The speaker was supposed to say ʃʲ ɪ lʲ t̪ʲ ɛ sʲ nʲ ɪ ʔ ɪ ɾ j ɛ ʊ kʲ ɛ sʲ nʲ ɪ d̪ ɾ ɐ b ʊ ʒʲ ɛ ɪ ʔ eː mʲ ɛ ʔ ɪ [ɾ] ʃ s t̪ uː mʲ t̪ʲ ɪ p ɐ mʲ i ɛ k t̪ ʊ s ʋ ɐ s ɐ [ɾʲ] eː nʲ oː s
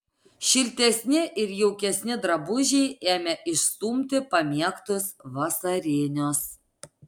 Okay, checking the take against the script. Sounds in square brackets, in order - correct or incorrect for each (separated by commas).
incorrect, correct